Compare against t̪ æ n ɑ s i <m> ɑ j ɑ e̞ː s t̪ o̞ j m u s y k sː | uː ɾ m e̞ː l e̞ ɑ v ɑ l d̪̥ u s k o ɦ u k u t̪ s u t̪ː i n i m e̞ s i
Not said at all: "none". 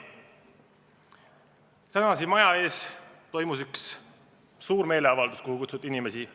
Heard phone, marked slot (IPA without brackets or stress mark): m